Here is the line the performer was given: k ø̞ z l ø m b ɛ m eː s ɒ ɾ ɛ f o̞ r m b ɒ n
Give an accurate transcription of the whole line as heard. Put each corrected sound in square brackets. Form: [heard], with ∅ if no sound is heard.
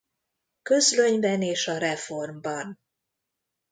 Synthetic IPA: k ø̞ z l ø [ɲ] b ɛ [n] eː [ʃ] ɒ ɾ ɛ f o̞ r m b ɒ n